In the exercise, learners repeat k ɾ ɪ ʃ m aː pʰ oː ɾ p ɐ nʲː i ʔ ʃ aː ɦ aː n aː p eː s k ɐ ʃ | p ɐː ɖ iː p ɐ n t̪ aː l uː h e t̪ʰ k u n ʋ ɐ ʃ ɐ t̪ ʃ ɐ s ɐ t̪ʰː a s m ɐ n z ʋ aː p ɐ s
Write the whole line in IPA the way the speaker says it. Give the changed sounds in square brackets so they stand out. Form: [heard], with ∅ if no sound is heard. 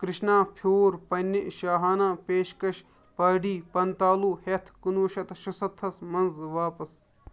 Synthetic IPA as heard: k ɾ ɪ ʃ [n] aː pʰ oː ɾ p ɐ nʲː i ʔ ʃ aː ɦ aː n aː p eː [ʃ] k ɐ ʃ | p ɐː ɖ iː p ɐ n t̪ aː l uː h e t̪ʰ k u n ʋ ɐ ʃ ɐ t̪ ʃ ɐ s ɐ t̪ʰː [ɐ] s m ɐ n z ʋ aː p ɐ s